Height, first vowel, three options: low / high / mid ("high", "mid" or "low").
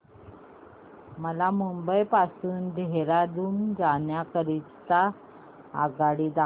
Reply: mid